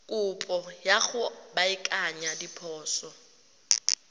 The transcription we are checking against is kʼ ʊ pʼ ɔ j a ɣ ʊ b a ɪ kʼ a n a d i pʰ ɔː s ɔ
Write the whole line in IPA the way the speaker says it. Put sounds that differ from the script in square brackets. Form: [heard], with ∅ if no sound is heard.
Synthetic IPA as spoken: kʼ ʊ pʼ ɔ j a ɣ ʊ b a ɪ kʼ a [ɲ] a d i pʰ ɔː s ɔ